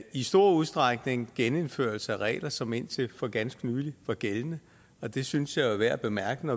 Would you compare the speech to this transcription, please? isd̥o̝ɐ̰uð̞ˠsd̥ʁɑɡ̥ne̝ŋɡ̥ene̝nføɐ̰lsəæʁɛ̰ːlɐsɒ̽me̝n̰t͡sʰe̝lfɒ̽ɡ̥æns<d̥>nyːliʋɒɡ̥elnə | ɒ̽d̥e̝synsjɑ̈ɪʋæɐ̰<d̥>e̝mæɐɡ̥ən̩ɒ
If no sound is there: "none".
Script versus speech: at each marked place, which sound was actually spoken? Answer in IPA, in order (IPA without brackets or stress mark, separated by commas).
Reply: ɡ̥, b̥